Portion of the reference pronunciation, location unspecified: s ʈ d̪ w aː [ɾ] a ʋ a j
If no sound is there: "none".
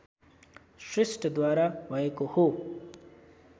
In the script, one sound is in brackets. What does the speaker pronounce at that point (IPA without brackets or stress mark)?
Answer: ɾ